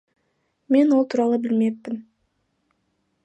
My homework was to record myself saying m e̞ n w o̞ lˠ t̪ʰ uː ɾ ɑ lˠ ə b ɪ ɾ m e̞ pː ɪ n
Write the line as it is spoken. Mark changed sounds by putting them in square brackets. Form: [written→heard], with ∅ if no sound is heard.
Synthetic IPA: m e̞ n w o̞ lˠ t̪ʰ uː ɾ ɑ lˠ ə b ɪ [ɾ→l] m e̞ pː ɪ n